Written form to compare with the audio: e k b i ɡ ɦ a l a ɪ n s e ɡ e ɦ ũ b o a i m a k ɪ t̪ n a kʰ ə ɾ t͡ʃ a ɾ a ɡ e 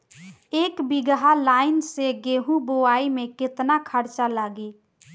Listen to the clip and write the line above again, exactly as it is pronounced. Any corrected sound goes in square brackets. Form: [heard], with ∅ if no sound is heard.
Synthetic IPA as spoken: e k b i ɡ ɦ a l a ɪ n s e ɡ e ɦ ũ b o a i m [e] k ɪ t̪ n a kʰ ə ɾ t͡ʃ a [l] a ɡ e

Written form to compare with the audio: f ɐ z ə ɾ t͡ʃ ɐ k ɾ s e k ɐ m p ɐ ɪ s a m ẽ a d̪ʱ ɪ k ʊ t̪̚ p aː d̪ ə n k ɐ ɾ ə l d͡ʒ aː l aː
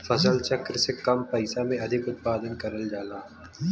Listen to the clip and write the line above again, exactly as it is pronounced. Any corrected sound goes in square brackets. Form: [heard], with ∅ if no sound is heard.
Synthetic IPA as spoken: f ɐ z ə [l] t͡ʃ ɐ k ɾ s e k ɐ m p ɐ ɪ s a m ẽ [ɐ] d̪ʱ ɪ k ʊ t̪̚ p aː d̪ ə n k ɐ ɾ ə l d͡ʒ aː l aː

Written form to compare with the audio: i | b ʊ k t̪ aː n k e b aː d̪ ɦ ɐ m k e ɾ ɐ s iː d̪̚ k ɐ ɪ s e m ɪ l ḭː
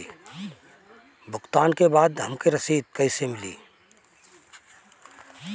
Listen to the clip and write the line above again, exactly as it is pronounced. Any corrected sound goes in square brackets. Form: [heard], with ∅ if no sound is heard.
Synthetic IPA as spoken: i | b ʊ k t̪ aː n k e b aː d̪ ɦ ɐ m k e ɾ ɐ s iː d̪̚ k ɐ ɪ s e m ɪ l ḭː

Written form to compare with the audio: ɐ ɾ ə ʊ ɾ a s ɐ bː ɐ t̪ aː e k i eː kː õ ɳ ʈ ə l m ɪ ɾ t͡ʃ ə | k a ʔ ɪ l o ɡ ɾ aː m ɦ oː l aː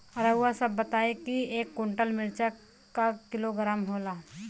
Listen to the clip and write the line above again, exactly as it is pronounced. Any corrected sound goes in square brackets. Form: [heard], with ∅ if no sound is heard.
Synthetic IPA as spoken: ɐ ɾ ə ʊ [∅] a s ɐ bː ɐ t̪ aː e k i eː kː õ ɳ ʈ ə l m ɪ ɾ t͡ʃ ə | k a [k] ɪ l o ɡ ɾ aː m ɦ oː l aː

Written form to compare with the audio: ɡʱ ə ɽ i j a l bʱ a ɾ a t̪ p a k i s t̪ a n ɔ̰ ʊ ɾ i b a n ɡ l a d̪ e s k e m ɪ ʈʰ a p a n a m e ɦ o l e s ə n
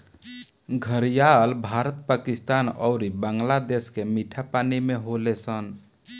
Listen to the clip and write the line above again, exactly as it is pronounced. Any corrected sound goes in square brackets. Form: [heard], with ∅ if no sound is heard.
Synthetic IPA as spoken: ɡʱ ə [ɾ] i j a l bʱ a ɾ [ə] t̪ p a k i s t̪ a n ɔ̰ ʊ ɾ i b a [ŋ] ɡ l a d̪ e s k e m [i] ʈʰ a p a n [i] m e ɦ o l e s ə n

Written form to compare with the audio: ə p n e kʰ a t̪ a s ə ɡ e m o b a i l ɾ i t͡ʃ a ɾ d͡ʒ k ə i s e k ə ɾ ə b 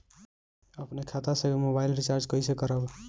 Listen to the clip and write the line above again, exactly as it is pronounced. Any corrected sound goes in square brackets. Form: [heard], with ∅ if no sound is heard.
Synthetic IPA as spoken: ə p n e kʰ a t̪ a s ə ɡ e m o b a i l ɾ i t͡ʃ a ɾ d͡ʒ k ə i s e k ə ɾ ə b

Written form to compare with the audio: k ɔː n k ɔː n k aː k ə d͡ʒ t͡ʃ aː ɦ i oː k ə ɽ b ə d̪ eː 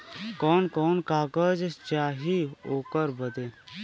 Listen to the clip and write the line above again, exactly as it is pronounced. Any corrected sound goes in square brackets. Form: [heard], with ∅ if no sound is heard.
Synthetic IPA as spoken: k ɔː n k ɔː n k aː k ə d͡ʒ t͡ʃ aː ɦ i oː k ə [ɾ] b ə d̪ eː

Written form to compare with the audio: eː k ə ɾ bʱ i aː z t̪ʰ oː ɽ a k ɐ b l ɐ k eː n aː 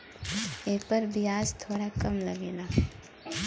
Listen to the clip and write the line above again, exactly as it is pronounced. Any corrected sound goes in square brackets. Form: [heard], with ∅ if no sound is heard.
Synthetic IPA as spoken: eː [p] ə ɾ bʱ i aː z t̪ʰ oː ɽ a k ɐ [m] l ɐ [ɡ] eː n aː

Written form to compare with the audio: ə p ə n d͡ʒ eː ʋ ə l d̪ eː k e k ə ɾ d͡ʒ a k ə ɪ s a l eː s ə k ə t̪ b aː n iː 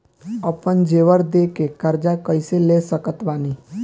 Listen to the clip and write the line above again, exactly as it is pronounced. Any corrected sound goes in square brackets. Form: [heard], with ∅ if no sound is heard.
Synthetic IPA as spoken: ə p ə n d͡ʒ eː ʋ ə [ɾ] d̪ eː k e k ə ɾ d͡ʒ a k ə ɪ s [e] l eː s ə k ə t̪ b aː n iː

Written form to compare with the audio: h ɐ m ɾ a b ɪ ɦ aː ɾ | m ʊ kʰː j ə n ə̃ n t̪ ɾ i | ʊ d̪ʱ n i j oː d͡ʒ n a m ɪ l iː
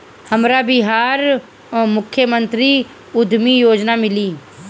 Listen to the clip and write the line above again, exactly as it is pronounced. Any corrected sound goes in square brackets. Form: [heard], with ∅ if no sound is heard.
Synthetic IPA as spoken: h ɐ m ɾ a b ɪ ɦ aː ɾ | m ʊ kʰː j ə [m] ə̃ n t̪ ɾ i | ʊ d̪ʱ [m] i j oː d͡ʒ n a m ɪ l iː

